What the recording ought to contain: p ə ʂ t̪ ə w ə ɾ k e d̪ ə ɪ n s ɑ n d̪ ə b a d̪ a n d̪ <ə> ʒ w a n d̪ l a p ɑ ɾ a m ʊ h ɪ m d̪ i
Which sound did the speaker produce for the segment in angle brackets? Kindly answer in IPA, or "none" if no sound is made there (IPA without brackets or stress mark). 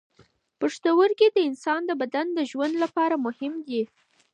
ə